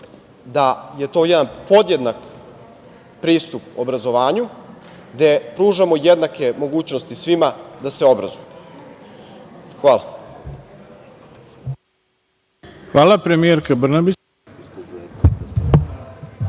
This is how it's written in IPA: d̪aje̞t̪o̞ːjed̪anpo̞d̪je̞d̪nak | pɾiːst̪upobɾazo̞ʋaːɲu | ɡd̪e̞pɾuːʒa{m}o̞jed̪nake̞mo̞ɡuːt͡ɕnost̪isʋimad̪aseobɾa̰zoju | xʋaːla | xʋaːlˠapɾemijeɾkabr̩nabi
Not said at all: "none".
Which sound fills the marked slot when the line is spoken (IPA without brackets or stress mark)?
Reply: m